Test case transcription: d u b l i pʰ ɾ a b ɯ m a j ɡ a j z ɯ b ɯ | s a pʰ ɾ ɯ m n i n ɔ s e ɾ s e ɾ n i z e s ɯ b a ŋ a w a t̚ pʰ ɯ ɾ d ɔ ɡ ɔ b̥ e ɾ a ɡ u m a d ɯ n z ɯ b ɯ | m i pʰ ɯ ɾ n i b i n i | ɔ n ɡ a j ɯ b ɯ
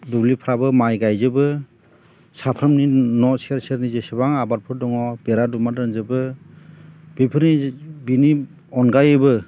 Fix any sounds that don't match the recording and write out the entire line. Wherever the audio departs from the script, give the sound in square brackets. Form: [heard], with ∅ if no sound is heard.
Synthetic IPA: d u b l i pʰ ɾ a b ɯ m a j ɡ a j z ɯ b ɯ | s a pʰ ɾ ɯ m n i n ɔ s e ɾ s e ɾ n i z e s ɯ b a ŋ a [b] a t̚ pʰ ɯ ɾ d ɔ [ŋ] ɔ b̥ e ɾ a [d] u m a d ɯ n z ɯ b ɯ | [b] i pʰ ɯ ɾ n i b i n i | ɔ n ɡ a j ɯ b ɯ